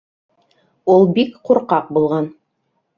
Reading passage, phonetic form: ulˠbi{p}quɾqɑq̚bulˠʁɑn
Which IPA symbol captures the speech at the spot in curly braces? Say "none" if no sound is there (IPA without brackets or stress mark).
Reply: k